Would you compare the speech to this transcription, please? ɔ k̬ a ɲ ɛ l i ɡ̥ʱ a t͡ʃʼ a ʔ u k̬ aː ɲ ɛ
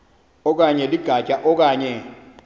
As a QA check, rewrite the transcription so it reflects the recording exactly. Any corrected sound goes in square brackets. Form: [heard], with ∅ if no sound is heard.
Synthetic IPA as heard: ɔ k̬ a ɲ ɛ l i ɡ̥ʱ a t͡ʃʼ a ʔ [ɔ] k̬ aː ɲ ɛ